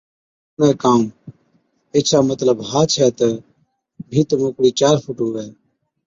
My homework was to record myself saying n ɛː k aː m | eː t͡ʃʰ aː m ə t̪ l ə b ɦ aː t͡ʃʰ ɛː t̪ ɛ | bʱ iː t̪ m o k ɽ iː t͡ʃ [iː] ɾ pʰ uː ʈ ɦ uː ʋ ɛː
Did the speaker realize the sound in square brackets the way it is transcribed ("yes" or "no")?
no